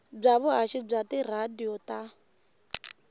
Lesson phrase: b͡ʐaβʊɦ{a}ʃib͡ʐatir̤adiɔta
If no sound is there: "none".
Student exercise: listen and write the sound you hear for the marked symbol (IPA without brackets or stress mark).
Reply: a